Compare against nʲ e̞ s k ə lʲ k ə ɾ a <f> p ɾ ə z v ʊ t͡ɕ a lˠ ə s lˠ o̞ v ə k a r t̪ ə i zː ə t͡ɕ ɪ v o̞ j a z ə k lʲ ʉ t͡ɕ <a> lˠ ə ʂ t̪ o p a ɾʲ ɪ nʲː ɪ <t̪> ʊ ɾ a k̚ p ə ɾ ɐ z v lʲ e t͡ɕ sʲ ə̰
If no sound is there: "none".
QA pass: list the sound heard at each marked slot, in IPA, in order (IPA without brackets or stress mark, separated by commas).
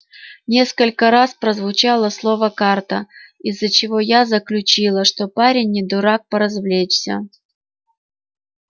s, i, d̪